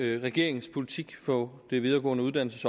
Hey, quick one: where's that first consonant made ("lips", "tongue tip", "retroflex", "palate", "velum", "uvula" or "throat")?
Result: uvula